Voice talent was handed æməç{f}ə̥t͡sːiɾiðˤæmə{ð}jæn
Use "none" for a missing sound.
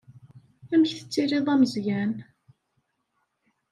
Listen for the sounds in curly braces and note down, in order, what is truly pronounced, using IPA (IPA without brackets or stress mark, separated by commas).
θ, z